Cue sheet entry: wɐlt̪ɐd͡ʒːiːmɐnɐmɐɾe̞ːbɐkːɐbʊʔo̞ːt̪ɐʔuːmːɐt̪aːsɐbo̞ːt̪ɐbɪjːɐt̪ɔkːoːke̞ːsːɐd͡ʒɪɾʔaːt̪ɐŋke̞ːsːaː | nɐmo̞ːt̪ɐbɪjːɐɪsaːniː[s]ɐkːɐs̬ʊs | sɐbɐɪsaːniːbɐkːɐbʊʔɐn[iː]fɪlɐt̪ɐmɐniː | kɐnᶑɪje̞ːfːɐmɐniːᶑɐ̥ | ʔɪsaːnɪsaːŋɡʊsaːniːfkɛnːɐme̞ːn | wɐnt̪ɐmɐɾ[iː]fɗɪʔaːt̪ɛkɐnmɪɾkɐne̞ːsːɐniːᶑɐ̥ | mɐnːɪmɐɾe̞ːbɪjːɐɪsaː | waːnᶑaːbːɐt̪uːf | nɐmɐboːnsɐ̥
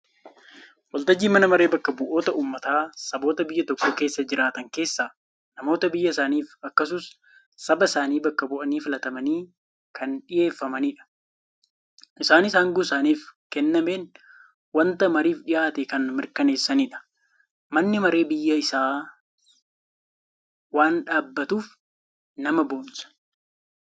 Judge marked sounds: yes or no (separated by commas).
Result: no, yes, yes